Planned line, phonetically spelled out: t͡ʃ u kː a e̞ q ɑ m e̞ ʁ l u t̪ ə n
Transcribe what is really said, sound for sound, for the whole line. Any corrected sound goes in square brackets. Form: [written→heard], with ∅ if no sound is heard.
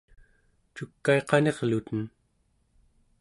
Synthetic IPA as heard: t͡ʃ u kː a e̞ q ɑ [m→n] e̞ ʁ l u t̪ ə n